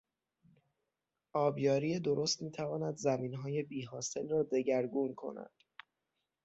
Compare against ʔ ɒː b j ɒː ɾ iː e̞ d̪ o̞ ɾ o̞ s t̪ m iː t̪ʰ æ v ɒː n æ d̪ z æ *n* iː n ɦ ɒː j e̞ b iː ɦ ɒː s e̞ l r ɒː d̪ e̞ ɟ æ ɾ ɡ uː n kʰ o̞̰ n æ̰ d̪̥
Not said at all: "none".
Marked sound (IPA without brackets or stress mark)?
m